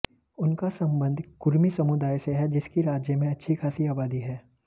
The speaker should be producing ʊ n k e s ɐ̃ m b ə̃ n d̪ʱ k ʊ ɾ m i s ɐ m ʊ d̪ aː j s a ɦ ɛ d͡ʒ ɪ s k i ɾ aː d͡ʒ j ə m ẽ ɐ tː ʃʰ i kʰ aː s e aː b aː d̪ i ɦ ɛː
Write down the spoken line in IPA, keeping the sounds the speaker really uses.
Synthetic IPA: ʊ n k a s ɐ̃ m b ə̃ n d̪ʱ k ʊ ɾ m i s ɐ m ʊ d̪ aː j s e ɦ ɛ d͡ʒ ɪ s k i ɾ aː d͡ʒ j ə m ẽ ɐ tː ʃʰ i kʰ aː s i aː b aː d̪ i ɦ ɛː